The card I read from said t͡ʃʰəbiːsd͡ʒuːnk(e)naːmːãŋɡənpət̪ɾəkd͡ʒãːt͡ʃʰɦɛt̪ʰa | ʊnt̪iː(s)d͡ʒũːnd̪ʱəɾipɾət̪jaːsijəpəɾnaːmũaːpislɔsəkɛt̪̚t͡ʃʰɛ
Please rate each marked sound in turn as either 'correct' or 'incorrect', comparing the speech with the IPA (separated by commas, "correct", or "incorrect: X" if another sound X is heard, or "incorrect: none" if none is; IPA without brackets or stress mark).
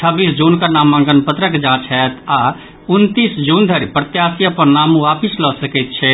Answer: incorrect: a, correct